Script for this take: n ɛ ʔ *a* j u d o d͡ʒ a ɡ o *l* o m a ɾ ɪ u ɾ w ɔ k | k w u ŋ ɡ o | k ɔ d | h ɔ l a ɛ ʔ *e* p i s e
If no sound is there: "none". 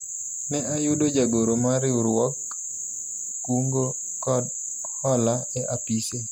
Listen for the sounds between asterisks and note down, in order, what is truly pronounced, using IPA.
a, ɾ, a

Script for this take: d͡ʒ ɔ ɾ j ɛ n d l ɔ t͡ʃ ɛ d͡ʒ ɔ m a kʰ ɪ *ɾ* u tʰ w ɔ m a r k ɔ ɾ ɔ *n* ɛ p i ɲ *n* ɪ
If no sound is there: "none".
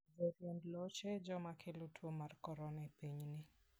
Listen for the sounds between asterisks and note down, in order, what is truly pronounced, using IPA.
l, n, n

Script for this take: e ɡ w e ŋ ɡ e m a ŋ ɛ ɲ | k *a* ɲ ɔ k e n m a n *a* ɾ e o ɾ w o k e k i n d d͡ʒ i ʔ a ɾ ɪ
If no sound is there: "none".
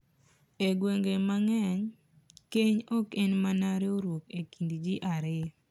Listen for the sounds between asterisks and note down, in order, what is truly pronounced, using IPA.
e, a

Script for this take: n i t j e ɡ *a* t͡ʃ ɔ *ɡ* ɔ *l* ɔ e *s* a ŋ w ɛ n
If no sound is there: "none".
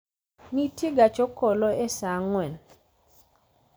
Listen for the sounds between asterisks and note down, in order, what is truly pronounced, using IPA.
a, k, l, s

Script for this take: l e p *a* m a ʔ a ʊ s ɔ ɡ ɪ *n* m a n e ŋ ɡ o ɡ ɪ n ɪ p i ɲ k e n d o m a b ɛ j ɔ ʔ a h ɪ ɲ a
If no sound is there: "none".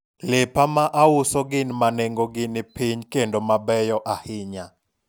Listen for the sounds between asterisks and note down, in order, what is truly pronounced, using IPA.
a, n

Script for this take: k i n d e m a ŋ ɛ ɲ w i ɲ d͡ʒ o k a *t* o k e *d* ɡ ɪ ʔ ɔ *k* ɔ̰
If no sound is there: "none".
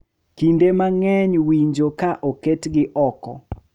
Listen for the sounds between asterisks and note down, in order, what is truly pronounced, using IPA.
ʔ, t, k

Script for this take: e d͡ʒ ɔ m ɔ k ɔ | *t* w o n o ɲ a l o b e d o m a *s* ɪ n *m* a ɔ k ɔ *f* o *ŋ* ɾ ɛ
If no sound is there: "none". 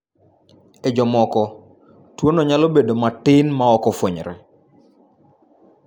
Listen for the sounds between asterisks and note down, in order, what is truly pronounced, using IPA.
t, t, m, f, ɲ

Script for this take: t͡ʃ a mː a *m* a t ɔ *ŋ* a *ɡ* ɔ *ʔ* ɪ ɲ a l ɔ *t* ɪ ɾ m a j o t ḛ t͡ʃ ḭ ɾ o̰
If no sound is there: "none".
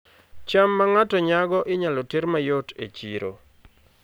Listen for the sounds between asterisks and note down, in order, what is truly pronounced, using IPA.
ŋ, ɲ, ɡ, ʔ, t

